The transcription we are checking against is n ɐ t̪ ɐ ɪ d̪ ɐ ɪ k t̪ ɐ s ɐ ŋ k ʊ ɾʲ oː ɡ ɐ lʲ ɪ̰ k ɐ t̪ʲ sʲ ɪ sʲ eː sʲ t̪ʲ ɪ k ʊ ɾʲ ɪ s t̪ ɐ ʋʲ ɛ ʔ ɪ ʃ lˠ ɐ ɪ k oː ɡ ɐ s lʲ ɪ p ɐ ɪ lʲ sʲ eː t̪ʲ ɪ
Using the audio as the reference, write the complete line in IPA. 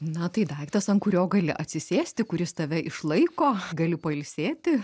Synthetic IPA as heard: n ɐ t̪ ɐ ɪ d̪ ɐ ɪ k t̪ ɐ s ɐ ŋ k ʊ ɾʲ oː ɡ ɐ lʲ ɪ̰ ʔ ɐ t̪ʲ sʲ ɪ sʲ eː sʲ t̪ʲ ɪ k ʊ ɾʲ ɪ s t̪ ɐ ʋʲ ɛ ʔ ɪ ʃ lˠ ɐ ɪ k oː ɡ ɐ lʲ ɪ p ɐ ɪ lʲ sʲ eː t̪ʲ ɪ